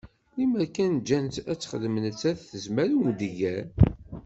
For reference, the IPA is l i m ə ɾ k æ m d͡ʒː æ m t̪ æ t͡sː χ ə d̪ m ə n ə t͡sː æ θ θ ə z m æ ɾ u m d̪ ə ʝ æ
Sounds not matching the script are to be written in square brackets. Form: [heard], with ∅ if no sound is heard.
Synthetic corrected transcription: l i m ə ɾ k æ [n] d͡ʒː æ [n] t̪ æ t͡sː χ ə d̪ m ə n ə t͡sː æ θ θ ə z m æ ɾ u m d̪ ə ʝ æ